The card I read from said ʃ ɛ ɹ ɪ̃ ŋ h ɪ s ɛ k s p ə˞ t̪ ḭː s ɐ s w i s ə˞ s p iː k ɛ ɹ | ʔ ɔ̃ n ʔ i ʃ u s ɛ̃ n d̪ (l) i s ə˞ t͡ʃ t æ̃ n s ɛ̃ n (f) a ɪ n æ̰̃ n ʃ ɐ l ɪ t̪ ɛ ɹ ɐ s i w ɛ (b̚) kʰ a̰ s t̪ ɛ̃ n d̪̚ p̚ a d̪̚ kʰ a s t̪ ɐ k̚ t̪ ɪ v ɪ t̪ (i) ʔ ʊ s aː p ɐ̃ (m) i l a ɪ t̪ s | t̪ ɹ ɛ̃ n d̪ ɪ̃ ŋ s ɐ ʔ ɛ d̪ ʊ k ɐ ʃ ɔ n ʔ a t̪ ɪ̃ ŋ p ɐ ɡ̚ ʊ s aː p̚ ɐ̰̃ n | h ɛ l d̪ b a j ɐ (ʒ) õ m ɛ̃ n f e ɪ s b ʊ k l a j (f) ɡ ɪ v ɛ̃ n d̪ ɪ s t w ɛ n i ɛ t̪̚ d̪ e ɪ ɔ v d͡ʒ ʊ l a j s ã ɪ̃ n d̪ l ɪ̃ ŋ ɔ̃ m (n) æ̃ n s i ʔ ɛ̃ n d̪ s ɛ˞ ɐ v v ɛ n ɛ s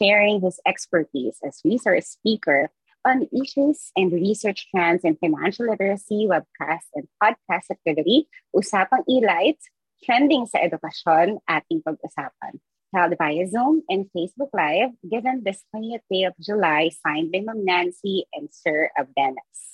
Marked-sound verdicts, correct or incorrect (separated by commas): incorrect, correct, correct, correct, incorrect, incorrect, incorrect, correct